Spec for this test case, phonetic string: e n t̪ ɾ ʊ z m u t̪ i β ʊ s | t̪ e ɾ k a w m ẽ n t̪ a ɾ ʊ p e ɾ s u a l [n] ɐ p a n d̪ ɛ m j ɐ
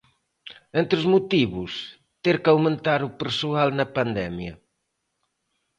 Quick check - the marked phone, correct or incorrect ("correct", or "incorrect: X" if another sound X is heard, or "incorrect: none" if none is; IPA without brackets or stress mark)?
correct